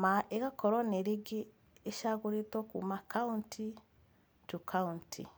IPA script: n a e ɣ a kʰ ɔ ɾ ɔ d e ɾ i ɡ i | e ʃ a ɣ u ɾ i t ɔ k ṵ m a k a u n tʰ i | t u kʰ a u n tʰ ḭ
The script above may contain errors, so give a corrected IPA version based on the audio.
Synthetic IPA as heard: m a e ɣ a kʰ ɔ ɾ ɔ n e ɾ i ɡ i | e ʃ a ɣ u ɾ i t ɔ k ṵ m a k a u n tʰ i | t u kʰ a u n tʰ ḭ